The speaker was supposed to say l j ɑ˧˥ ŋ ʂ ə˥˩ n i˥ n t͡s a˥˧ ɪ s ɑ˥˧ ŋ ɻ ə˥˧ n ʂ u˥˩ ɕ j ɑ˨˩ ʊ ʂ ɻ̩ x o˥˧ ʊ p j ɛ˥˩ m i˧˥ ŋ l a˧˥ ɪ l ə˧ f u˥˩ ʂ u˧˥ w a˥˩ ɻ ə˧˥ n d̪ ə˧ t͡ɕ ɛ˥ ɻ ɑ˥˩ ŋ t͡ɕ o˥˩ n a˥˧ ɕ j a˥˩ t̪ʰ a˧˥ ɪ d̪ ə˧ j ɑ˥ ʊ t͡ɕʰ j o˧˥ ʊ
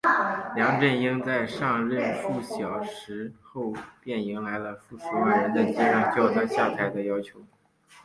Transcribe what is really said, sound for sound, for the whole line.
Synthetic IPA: l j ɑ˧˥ ŋ ʈ͡ʂ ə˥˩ n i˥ ŋ t͡s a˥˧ ɪ ʂ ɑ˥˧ ŋ ɻ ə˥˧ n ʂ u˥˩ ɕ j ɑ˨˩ ʊ ʂ ɻ̩ x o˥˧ ʊ p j ɛ˥˩ n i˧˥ ŋ l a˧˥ ɪ l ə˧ f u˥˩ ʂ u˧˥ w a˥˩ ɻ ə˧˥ n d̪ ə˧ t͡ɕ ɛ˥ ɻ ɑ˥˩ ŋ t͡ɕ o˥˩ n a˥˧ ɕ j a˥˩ t̪ʰ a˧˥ ɪ d̪ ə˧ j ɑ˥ ʊ t͡ɕʰ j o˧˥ ʊ